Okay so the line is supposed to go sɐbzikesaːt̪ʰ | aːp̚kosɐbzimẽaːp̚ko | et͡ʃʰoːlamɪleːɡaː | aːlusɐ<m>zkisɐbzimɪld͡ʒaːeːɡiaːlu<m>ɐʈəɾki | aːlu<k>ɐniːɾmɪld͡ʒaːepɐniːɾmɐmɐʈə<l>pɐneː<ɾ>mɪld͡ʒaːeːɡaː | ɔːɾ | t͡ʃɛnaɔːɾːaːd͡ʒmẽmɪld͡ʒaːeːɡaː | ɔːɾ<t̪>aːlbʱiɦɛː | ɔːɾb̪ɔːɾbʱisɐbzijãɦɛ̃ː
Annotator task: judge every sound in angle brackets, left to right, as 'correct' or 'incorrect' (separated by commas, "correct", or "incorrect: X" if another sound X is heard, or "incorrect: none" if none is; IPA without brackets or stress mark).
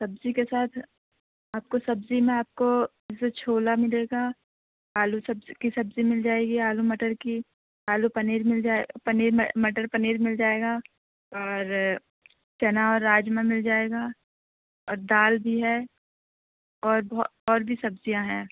incorrect: b, correct, incorrect: p, incorrect: ɾ, correct, incorrect: d̪